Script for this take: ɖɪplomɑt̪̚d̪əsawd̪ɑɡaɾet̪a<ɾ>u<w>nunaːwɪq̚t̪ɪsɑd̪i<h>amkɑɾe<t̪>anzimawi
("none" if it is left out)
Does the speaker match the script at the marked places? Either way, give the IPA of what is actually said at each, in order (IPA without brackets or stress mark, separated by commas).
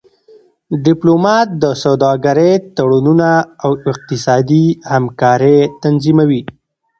ɽ, none, h, t̪